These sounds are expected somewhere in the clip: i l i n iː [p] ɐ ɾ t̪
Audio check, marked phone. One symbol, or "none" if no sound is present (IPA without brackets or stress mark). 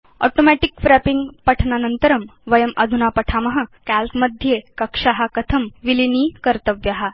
k